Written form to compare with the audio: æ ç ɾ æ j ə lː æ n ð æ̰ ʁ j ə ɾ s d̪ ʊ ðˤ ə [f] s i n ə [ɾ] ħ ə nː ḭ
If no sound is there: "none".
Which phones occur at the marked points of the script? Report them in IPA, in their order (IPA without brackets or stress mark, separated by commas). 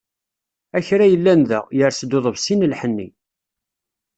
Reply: v, l